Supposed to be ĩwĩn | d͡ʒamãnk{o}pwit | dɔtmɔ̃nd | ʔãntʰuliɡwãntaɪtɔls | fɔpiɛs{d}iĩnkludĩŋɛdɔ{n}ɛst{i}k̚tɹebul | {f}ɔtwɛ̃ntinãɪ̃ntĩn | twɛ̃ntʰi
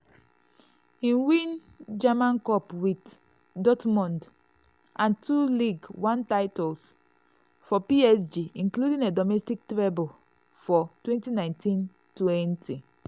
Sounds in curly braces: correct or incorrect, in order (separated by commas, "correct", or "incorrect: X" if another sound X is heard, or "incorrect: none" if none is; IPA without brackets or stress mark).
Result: incorrect: ɔ, incorrect: d͡ʒ, incorrect: m, correct, correct